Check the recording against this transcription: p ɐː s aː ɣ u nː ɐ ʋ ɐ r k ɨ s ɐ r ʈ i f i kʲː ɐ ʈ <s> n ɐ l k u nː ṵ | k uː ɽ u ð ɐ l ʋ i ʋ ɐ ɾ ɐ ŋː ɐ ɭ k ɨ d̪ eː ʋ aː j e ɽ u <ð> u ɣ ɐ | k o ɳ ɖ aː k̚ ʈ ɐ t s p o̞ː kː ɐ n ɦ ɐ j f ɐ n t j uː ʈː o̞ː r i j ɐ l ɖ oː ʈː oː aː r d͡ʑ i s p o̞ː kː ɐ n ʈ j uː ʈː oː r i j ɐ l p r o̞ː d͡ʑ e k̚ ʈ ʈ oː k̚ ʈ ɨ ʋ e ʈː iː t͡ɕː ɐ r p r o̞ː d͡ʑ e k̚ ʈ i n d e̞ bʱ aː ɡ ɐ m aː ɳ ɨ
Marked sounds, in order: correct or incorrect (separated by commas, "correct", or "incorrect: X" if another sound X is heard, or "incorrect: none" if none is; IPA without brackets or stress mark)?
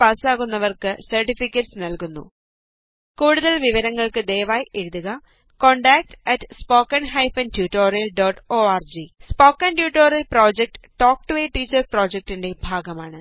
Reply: correct, correct